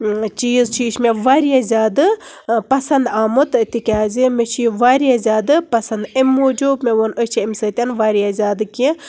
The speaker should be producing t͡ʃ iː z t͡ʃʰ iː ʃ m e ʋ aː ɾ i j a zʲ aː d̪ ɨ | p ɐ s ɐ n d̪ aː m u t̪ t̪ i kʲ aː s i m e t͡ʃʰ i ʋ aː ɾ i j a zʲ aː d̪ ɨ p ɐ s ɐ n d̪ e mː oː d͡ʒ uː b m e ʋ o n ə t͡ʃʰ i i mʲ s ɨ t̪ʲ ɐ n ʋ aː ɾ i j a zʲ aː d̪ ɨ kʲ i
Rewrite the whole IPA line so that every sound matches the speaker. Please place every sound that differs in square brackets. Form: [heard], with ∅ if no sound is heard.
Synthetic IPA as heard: t͡ʃ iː z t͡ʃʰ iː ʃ m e ʋ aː ɾ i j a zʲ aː d̪ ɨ | p ɐ s ɐ n d̪ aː m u t̪ t̪ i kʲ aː [z] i m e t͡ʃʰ i ʋ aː ɾ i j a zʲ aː d̪ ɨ p ɐ s ɐ n d̪ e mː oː d͡ʒ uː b m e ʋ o n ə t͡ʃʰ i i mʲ s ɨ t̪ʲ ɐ n ʋ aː ɾ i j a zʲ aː d̪ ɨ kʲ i